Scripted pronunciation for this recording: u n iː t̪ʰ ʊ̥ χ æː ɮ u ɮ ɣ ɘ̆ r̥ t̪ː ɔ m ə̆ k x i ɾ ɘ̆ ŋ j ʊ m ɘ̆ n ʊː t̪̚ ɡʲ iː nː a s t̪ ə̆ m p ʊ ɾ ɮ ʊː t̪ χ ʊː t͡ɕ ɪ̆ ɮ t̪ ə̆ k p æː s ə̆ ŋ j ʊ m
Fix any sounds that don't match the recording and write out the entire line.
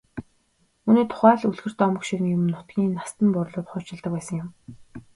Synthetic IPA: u n iː t̪ʰ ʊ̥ χ æː ɮ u ɮ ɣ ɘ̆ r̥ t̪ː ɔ m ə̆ k ʃ i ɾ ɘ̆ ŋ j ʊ m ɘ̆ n ʊ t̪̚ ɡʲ iː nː a s t̪ ə̆ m p ʊ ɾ ɮ ʊː t̪ χ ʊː t͡ɕ ɪ̆ ɮ t̪ ə̆ k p æː s ə̆ ŋ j ʊ m